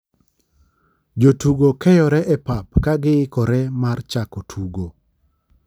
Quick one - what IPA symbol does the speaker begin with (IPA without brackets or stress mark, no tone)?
d͡ʒ